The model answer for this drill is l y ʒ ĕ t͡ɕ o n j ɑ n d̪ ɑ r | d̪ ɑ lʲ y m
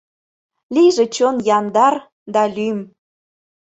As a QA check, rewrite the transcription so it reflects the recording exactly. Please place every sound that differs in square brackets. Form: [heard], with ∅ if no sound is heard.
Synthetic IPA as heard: l [i] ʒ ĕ t͡ɕ o n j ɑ n d̪ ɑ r | d̪ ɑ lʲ y m